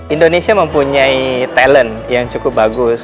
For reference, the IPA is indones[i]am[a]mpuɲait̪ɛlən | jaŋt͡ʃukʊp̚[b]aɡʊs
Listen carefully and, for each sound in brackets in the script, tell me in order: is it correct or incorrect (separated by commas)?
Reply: correct, incorrect, correct